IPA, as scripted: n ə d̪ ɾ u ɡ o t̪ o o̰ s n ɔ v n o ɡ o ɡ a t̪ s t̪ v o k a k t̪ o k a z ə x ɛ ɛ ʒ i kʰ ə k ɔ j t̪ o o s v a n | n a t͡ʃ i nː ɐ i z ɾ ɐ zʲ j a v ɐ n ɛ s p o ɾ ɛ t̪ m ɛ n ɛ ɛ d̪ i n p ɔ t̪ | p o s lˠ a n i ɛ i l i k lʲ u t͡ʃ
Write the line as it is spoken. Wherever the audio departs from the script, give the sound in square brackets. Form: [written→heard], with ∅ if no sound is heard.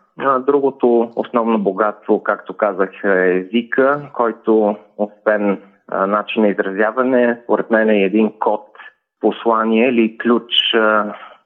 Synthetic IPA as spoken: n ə d̪ ɾ u ɡ o t̪ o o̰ s n ɔ v n o [ɡ→b] o ɡ a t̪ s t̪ v o k a k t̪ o k a z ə x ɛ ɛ [ʒ→z] i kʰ ə k ɔ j t̪ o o s v [a→ɛ] n | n a t͡ʃ i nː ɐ i z ɾ ɐ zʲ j a v ɐ n ɛ s p o ɾ ɛ t̪ m ɛ n ɛ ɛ d̪ i n [p→k] ɔ t̪ | p o s lˠ a n i ɛ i l i k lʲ u t͡ʃ